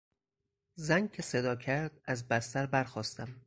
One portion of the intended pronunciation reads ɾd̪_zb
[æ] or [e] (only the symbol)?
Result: æ